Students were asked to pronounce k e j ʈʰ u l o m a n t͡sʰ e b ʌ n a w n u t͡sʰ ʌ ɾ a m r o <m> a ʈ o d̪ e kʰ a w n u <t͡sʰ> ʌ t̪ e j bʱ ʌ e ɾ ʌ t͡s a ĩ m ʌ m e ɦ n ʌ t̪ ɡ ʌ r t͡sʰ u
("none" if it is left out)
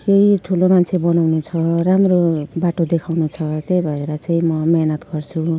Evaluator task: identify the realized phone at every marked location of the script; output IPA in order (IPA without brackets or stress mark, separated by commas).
b, t͡sʰ